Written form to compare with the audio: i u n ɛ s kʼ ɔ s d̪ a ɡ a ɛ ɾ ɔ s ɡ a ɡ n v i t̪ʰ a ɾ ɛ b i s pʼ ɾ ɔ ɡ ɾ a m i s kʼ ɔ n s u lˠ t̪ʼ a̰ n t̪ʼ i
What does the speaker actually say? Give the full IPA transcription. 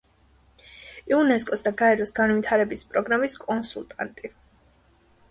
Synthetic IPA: i u n ɛ s kʼ ɔ s d̪ a ɡ a ɛ ɾ ɔ s ɡ a n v i t̪ʰ a ɾ ɛ b i s pʼ ɾ ɔ ɡ ɾ a m i s kʼ ɔ n s u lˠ t̪ʼ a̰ n t̪ʼ i